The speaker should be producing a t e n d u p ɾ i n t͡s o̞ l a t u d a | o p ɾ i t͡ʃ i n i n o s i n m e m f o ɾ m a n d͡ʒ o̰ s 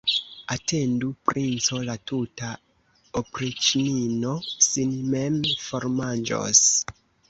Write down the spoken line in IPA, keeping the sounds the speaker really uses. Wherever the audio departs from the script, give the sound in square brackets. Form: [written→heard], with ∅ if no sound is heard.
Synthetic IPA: a t e n d u p ɾ i n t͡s o̞ l a t u [d→t] a | o p ɾ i t͡ʃ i n i n o s i n m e m f o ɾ m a n d͡ʒ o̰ s